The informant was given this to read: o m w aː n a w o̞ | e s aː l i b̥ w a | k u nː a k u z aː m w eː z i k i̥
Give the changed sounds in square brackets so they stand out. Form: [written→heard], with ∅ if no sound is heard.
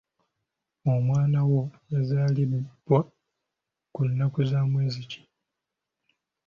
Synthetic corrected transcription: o m w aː n a w o̞ | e [s→z] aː l i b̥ w a | k u nː a k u z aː m w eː z i [k→c] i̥